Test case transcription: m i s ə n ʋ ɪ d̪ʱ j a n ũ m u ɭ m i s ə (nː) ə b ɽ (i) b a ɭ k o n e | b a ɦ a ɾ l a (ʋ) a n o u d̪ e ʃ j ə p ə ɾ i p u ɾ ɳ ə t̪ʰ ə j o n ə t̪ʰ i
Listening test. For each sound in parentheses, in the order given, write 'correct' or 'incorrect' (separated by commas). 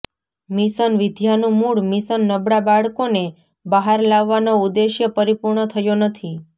correct, incorrect, incorrect